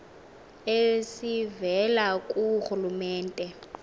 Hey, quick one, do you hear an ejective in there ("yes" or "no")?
yes